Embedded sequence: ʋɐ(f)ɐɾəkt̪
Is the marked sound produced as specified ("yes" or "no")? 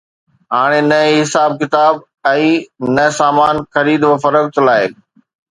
yes